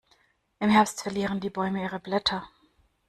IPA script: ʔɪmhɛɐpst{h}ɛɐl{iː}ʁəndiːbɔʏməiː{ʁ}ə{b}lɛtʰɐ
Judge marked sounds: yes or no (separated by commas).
no, yes, yes, yes